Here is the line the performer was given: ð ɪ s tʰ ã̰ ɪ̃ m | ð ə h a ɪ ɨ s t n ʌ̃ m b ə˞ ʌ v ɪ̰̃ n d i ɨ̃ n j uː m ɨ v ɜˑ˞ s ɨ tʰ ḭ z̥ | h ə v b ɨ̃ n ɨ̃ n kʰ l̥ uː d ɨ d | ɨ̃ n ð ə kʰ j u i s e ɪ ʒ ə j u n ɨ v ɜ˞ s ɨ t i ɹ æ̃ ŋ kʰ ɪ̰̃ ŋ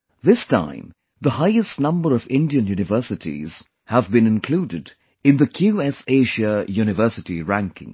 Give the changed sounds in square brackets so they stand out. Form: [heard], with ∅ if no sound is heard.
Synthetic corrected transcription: ð ɪ s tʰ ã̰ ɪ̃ m | ð ə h a ɪ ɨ s t n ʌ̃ m b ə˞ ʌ v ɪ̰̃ n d i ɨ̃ n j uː [n] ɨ v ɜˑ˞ s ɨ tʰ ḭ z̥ | h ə v b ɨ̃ n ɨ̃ n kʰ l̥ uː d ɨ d | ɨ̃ n ð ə kʰ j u [ɛ] s e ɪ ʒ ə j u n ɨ v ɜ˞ s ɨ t i ɹ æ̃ ŋ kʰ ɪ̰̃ ŋ